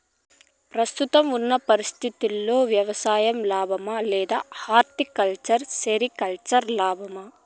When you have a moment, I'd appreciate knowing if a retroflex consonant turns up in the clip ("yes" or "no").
no